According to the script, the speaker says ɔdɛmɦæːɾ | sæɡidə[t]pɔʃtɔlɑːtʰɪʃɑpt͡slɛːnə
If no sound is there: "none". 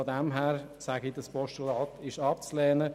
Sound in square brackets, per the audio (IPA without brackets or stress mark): s